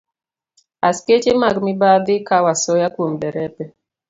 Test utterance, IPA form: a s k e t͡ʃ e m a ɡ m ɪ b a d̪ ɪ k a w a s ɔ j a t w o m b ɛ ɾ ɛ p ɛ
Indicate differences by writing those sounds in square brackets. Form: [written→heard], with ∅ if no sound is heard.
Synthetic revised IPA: a s k e t͡ʃ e m a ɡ m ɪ b a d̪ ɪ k a w a s ɔ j a [t→k] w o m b ɛ ɾ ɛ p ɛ